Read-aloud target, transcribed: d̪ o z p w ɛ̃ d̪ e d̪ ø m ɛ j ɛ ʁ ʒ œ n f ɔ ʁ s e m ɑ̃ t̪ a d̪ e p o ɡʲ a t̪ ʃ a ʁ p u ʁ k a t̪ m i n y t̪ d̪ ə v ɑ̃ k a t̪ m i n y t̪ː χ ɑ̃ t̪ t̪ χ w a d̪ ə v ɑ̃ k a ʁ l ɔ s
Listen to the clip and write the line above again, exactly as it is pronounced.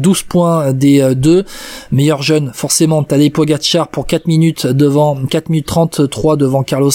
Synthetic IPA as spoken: d̪ u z p w ɛ̃ d̪ e d̪ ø m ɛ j œ ʁ ʒ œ n f ɔ ʁ s e m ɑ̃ t̪ a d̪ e p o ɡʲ a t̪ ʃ a ʁ p u ʁ k a t̪ m i n y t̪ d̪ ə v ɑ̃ k a t̪ m i n y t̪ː χ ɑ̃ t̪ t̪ χ w a d̪ ə v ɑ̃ k a ʁ l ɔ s